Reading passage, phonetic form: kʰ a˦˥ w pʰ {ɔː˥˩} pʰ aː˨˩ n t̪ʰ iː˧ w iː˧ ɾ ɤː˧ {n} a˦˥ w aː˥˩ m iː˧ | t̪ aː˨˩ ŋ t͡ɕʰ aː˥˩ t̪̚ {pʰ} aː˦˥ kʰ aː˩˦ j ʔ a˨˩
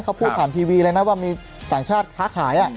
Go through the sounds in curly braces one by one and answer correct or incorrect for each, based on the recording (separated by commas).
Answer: incorrect, correct, incorrect